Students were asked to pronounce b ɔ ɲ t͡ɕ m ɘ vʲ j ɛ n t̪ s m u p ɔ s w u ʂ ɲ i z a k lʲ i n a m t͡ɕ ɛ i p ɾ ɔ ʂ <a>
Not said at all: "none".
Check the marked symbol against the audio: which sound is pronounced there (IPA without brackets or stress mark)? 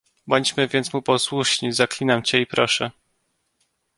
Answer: ɛ